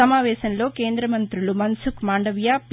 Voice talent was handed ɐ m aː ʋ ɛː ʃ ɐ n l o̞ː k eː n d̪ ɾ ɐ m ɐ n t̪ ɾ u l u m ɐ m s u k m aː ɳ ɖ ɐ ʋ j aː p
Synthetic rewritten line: ɐ m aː ʋ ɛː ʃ ɐ n l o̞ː k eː n d̪ ɾ ɐ m ɐ n t̪ ɾ u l u m ɐ n s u k m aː ɳ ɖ ɐ ʋ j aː p